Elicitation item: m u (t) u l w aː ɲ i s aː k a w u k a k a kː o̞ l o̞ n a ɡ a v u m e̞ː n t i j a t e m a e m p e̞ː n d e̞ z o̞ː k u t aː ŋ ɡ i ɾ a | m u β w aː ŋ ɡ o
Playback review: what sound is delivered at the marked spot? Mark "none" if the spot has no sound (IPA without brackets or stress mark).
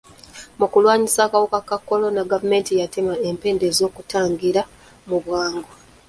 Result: k